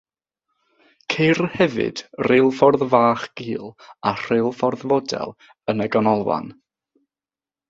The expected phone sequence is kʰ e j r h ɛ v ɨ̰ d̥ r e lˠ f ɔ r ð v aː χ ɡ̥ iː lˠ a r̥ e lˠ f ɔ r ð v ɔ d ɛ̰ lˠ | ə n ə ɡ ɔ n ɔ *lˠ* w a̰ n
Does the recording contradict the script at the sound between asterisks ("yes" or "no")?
no